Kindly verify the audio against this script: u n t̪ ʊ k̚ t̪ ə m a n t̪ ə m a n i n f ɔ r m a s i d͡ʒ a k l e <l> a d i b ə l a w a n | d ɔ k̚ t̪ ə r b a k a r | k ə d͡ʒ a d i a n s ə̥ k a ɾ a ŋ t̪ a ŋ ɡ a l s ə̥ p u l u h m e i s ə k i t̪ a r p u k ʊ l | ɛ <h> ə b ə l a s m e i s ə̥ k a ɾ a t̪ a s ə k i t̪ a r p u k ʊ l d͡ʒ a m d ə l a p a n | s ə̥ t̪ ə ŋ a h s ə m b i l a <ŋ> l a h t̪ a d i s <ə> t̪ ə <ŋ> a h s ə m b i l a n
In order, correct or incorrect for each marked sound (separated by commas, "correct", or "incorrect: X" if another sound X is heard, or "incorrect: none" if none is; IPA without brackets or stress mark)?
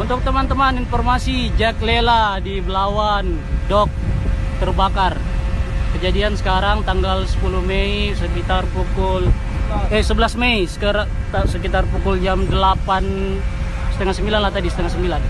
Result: correct, incorrect: s, incorrect: n, correct, correct